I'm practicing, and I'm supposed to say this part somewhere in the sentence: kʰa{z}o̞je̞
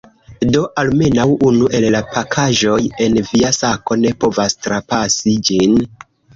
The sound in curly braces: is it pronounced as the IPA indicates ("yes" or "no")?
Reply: no